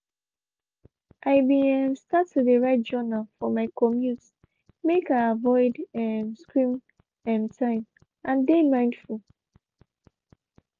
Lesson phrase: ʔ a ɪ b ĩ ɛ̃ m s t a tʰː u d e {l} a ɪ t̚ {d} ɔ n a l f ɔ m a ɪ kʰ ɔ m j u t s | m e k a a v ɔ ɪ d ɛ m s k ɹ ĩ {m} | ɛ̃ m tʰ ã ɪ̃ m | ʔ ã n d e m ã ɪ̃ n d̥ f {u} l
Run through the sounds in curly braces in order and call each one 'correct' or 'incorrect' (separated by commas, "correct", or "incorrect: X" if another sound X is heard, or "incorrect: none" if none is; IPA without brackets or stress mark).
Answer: incorrect: ɹ, incorrect: d͡ʒ, correct, correct